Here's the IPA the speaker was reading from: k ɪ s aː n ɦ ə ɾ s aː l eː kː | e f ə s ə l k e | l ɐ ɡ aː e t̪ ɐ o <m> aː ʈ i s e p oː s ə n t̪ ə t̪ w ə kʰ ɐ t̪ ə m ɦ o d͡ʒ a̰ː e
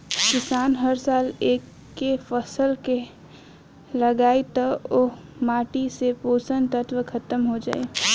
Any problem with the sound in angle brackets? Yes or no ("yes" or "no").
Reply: no